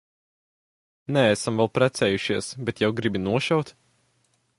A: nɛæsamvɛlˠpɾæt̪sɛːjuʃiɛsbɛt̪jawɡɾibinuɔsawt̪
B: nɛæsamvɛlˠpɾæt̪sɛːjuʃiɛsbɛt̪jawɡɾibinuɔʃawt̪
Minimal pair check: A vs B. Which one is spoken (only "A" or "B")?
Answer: B